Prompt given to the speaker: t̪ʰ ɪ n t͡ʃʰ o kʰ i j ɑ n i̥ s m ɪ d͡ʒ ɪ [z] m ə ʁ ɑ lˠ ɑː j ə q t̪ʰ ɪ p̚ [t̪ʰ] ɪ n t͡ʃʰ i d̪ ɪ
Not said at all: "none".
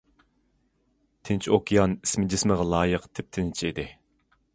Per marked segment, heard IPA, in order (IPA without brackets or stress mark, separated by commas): s, t̪ʰ